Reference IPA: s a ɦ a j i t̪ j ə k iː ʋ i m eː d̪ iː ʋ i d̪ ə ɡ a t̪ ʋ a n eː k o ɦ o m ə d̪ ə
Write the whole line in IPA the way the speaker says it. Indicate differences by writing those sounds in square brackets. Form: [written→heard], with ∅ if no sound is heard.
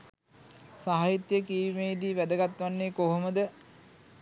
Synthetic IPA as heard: s a ɦ a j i t̪ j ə k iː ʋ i m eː d̪ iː ʋ [i→æ] d̪ ə ɡ a t̪ ʋ a [n→nː] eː k o ɦ o m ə d̪ ə